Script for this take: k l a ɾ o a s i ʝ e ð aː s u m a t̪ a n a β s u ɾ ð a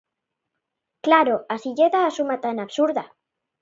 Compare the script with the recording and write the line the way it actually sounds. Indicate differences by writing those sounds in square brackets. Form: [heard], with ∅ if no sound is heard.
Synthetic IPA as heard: k l a ɾ o a s i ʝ e ð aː s u m a t̪ a n a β s u ɾ ð a

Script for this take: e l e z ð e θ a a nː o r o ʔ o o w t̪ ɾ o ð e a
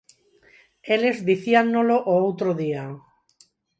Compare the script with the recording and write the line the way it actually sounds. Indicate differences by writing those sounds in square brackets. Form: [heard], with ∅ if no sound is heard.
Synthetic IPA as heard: e l e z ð [i] θ [i] a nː o [l] o ʔ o o w t̪ ɾ o ð [i] a

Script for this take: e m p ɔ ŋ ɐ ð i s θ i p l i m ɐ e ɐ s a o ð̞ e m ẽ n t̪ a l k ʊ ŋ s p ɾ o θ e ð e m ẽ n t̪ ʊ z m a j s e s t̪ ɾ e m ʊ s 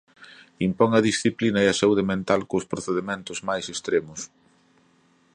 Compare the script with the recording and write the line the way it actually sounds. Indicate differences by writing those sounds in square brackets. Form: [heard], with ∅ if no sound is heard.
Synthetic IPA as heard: [i] m p ɔ ŋ ɐ ð i s θ i p l i [n] ɐ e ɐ s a [u] ð̞ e m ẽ n t̪ a l k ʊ [∅] s p ɾ o θ e ð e m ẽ n t̪ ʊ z m a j s e s t̪ ɾ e m ʊ s

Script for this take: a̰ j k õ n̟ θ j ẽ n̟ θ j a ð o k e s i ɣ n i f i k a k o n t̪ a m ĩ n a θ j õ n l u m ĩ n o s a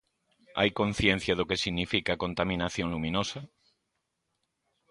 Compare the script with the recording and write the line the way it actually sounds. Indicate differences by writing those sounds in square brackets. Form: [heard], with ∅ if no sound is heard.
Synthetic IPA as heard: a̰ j k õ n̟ θ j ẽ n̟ θ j a ð o k e s i ɣ n i f i k a k o n t̪ a m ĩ n a θ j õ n l u m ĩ n o s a

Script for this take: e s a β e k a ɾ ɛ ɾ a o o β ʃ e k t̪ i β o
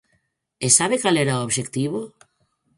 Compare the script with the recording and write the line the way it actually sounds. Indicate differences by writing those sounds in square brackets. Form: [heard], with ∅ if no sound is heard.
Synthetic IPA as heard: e s a β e k a [l] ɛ ɾ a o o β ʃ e k t̪ i β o

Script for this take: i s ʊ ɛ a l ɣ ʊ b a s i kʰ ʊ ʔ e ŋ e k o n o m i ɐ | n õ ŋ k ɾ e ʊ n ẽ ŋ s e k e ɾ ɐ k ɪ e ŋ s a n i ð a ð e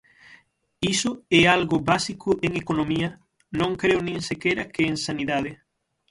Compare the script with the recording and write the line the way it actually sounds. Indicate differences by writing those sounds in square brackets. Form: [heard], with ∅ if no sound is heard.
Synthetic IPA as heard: i s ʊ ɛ a l ɣ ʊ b a s i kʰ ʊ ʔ e ŋ e k o n o m i ɐ | n õ ŋ k ɾ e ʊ n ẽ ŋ s e k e ɾ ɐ k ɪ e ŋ s a n i ð a ð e

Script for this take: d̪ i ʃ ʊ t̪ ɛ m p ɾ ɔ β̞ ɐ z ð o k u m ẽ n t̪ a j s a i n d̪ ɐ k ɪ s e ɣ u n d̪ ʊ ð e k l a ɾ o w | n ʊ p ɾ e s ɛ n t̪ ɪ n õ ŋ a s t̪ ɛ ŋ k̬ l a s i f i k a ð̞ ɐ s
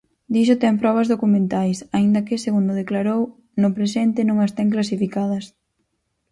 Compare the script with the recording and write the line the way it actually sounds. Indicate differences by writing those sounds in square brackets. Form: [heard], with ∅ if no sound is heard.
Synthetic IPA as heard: d̪ i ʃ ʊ t̪ ɛ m p ɾ ɔ β̞ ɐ z ð o k u m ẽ n t̪ a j s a i n d̪ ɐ k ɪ s e ɣ u n d̪ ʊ ð e k l a ɾ o w | n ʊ p ɾ e s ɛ n t̪ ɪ n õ ŋ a s t̪ ɛ ŋ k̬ l a s i f i k a ð̞ ɐ s

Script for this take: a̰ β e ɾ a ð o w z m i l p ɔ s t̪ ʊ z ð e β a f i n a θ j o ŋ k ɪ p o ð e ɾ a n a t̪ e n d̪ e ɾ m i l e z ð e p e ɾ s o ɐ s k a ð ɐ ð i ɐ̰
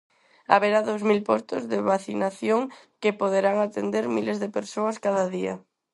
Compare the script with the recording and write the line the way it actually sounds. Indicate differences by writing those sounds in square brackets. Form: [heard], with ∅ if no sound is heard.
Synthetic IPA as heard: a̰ β e ɾ a ð o w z m i l p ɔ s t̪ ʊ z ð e β a [θ] i n a θ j o ŋ k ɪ p o ð e ɾ a [ŋ] a t̪ e n d̪ e ɾ m i l e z ð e p e ɾ s o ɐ s k a ð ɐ ð i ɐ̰

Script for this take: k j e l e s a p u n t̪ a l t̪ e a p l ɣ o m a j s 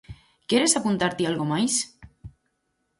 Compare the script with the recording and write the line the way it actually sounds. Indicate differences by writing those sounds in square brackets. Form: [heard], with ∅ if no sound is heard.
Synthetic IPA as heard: k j e [ɾ] e s a p u n t̪ a [ɾ] t̪ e a [∅] l ɣ o m a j s

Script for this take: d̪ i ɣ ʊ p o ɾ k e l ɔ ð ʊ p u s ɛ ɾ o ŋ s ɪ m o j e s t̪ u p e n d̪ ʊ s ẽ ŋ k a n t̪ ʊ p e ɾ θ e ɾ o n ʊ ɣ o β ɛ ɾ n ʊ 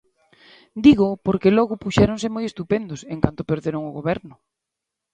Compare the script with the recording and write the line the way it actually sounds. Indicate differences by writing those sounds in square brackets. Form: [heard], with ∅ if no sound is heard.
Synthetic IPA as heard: d̪ i ɣ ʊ p o ɾ k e l ɔ [ɣ] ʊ p u [ʃ] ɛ ɾ o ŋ s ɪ m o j e s t̪ u p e n d̪ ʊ s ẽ ŋ k a n t̪ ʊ p e ɾ [ð] e ɾ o [ŋ] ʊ ɣ o β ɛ ɾ n ʊ

